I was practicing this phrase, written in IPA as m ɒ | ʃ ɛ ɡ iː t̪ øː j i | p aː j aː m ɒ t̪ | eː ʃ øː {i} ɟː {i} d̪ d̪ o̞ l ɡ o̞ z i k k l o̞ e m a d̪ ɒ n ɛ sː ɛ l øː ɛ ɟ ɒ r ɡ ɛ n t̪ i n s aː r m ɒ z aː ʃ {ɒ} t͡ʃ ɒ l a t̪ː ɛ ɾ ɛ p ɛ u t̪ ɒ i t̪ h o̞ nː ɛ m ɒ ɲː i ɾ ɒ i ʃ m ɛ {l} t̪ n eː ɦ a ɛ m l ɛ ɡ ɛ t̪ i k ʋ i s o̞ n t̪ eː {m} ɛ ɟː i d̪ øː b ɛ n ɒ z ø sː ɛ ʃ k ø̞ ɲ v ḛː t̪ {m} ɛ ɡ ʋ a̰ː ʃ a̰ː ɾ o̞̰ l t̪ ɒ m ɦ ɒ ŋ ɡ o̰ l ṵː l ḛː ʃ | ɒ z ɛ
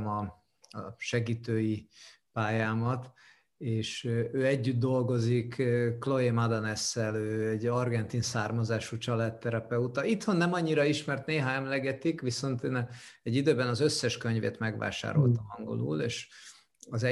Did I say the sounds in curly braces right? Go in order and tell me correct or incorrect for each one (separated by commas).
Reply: incorrect, incorrect, incorrect, incorrect, incorrect, correct